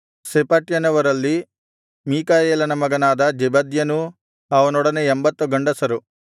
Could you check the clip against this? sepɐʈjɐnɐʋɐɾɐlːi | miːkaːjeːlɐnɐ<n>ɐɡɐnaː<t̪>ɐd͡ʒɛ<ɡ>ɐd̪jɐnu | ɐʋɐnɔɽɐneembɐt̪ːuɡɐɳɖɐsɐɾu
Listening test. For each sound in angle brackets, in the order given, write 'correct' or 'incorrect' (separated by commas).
incorrect, incorrect, incorrect